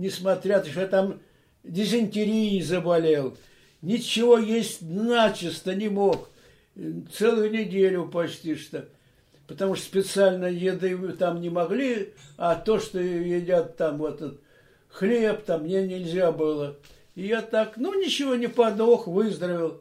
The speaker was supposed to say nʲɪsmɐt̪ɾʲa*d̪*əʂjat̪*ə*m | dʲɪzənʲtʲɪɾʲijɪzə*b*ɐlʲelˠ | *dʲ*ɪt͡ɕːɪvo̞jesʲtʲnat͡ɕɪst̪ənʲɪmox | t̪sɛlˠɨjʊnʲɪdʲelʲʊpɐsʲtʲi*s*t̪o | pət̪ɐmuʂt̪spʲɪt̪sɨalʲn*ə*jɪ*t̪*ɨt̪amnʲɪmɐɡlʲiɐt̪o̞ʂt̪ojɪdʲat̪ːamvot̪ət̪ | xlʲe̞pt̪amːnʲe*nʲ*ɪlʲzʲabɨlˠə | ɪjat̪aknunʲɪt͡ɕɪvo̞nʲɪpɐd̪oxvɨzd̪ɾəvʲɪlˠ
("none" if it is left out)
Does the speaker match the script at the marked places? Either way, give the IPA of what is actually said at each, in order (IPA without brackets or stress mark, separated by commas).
t̪, a, b, nʲ, ʂ, ə, d̪, nʲ